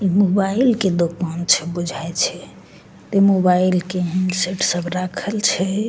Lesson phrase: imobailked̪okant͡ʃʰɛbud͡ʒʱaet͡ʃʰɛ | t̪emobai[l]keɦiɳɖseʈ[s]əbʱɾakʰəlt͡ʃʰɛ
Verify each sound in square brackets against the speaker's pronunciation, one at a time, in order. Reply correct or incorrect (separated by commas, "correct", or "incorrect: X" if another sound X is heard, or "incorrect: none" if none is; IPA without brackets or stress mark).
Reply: correct, correct